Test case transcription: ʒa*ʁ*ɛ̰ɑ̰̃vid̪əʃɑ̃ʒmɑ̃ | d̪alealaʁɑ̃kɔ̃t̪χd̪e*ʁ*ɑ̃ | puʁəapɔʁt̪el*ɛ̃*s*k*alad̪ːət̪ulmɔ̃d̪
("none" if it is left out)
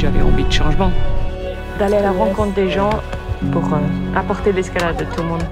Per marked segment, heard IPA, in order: v, ʒ, ɛ, k

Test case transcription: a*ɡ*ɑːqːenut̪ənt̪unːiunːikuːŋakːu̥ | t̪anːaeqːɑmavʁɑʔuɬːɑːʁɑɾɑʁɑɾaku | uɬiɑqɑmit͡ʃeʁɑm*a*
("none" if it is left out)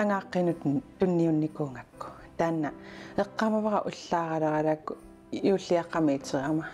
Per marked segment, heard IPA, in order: ŋ, a

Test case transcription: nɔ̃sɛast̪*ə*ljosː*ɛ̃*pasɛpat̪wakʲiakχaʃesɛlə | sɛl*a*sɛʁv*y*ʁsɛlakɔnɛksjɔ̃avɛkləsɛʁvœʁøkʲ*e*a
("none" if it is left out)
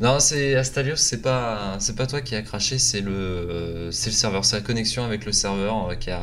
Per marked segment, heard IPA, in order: a, ɛ, ə, œ, i

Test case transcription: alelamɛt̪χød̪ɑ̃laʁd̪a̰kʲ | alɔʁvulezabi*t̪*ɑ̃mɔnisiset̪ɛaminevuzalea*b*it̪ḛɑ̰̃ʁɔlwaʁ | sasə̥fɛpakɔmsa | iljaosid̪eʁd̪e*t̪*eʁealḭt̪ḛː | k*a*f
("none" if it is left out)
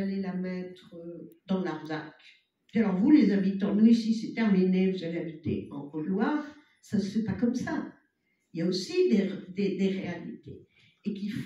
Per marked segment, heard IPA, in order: t̪, b, d̪, i

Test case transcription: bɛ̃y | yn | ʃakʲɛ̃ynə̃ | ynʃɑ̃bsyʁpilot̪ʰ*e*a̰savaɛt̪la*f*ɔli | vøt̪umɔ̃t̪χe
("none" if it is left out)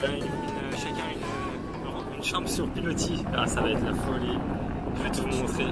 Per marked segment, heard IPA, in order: i, f

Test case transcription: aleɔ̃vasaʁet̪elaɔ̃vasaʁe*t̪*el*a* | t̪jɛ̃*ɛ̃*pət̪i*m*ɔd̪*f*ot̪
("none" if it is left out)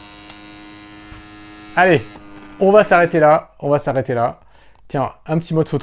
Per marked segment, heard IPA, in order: t̪, a, ɛ̃, m, f

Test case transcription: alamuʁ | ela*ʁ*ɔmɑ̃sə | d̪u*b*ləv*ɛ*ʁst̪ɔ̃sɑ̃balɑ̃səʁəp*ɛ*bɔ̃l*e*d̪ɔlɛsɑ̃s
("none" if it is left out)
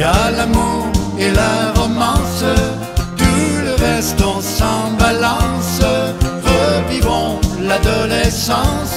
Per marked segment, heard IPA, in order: ʁ, none, ɛ, i, a

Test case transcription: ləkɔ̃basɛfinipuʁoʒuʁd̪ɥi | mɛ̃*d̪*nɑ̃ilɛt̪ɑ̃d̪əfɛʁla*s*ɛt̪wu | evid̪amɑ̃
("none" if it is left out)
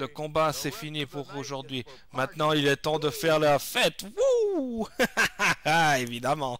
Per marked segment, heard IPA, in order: t̪, f

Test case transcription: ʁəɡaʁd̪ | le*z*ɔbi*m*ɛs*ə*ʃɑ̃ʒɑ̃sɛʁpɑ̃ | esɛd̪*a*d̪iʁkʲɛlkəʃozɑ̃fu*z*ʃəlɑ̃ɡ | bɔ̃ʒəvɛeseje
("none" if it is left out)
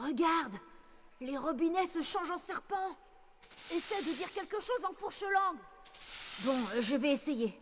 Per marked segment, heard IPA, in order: ʁ, n, ə, ə, ʁ

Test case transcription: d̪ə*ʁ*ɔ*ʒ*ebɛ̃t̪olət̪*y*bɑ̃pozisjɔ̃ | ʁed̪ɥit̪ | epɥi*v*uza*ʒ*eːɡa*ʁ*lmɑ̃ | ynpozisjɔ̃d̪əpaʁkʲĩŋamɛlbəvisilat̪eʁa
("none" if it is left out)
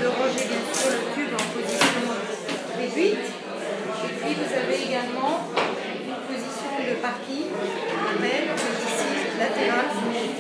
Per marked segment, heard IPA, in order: ʁ, ʒ, y, v, v, none

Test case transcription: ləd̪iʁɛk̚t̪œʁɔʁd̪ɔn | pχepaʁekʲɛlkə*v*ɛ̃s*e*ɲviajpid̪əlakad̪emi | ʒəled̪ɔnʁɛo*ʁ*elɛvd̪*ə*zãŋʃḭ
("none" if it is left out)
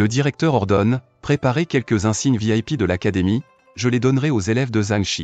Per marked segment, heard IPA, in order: z, i, z, ə

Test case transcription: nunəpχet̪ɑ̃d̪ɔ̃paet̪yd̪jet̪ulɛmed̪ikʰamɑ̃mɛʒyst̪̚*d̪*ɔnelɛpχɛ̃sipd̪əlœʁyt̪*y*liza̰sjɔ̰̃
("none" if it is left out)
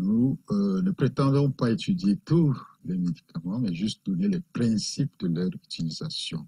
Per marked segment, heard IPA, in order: d̪, i

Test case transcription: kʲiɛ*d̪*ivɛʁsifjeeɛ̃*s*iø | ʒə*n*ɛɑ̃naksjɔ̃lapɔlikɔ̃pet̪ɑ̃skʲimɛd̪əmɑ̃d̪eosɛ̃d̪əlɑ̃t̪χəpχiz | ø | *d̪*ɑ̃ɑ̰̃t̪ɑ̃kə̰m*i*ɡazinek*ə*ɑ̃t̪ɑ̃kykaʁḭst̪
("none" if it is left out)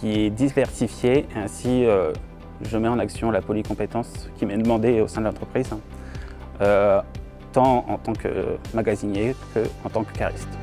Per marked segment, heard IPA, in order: d̪, s, m, t̪, a, ə

